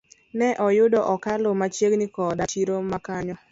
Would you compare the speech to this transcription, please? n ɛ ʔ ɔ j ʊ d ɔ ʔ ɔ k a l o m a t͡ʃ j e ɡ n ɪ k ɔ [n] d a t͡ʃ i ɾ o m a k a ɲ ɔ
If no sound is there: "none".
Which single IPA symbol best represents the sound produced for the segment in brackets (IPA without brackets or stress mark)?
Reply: none